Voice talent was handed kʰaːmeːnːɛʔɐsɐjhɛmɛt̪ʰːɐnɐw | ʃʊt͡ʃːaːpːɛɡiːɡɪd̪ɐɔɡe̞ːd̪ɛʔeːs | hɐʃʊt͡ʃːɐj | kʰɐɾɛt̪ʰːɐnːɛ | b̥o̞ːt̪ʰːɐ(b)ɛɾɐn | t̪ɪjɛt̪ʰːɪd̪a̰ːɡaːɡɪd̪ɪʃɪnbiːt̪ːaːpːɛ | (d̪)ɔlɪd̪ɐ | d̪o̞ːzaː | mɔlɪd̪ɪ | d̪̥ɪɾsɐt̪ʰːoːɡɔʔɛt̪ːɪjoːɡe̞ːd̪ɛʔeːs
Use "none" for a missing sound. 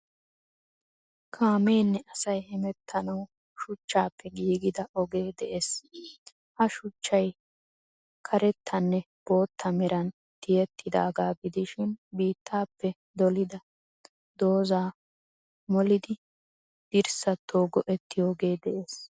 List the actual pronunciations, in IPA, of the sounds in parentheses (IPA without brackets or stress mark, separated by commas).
m, d̪